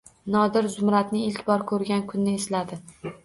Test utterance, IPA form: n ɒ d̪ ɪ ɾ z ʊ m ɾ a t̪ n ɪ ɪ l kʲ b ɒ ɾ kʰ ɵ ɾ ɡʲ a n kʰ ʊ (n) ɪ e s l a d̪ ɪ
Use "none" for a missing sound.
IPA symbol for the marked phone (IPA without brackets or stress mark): nː